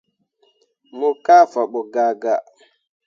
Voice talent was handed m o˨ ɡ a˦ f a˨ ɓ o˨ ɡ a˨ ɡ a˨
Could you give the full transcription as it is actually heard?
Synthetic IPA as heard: m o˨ k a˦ f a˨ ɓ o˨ ɡ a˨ ɡ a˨